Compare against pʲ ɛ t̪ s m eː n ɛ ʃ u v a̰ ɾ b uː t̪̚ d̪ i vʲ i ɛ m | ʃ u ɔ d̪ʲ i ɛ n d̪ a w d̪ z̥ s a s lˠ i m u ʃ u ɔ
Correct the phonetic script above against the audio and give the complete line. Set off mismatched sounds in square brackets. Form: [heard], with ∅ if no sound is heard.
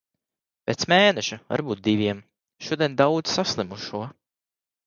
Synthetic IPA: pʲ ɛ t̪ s m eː n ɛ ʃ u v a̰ ɾ b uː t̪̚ d̪ i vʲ i ɛ m | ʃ u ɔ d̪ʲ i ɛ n d̪ a w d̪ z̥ s a s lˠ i m u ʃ u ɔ